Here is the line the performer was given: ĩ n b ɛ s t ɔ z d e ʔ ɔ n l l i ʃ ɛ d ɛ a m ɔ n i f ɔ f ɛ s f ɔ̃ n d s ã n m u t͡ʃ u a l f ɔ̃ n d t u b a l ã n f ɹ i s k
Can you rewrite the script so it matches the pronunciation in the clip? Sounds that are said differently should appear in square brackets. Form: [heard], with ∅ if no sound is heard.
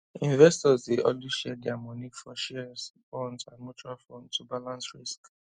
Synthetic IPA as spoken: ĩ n [v] ɛ s t ɔ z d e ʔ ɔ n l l i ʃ ɛ d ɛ a m ɔ n i f ɔ [ʃ] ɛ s f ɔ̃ n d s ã n m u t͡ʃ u a l f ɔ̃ n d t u b a l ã n [s] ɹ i s k